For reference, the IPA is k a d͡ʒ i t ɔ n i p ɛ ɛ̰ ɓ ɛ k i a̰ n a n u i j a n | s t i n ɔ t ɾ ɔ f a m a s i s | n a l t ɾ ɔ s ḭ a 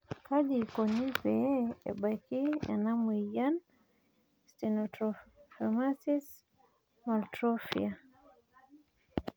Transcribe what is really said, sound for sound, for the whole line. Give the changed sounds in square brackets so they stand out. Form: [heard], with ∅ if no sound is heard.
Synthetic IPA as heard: k a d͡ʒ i [k] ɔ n i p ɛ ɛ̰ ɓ [a] k i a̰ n a [m] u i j a n | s t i n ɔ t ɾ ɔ f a m a s i s | [m] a l t ɾ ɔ [f] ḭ a